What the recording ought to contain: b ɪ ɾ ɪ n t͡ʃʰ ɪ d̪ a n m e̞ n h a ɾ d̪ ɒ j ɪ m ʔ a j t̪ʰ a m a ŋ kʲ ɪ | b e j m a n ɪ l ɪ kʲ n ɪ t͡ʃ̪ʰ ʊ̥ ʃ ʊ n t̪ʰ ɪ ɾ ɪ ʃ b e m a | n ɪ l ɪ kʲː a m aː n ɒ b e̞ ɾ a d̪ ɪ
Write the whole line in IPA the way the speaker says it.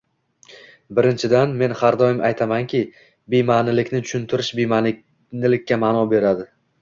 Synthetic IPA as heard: b ɪ ɾ ɪ n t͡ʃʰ ɪ d̪ a n m e̞ n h a ɾ d̪ ɒ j ɪ m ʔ a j t̪ʰ a m a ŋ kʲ ɪ | b e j m a n ɪ l ɪ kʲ n ɪ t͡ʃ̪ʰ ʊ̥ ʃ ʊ n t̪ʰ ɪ ɾ ɪ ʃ b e m a | n ɪ l ɪ kʲː a m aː n ɒ b e̞ ɾ a d̪ ɪ